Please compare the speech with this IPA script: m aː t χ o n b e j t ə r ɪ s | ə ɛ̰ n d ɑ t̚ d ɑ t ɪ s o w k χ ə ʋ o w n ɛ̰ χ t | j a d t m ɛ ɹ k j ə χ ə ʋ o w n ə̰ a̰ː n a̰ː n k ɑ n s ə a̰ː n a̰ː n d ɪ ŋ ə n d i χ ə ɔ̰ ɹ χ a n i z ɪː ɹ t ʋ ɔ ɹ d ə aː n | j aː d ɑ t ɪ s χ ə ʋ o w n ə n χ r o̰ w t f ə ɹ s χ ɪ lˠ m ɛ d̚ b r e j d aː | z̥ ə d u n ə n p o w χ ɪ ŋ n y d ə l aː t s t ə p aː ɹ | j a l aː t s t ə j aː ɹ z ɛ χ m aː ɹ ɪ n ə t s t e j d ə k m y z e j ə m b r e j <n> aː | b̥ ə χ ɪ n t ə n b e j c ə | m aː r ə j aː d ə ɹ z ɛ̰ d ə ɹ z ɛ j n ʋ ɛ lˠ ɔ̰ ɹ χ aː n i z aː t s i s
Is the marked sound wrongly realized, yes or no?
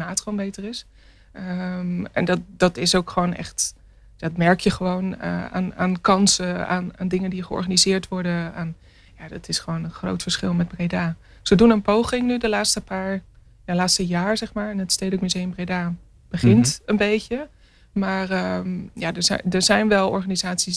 yes